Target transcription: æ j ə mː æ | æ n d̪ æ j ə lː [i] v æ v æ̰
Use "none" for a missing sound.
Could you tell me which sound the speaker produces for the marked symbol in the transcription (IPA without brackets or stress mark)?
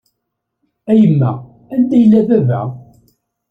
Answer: æ